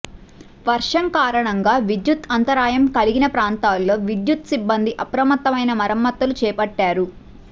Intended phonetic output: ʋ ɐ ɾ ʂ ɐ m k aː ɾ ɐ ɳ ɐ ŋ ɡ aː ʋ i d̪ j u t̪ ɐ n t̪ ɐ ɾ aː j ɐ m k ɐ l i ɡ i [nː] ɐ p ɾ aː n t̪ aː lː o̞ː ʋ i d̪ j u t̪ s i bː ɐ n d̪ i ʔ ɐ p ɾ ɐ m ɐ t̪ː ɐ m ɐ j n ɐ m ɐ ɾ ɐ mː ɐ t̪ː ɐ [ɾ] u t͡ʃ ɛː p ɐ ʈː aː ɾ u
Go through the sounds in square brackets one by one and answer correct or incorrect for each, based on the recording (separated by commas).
incorrect, incorrect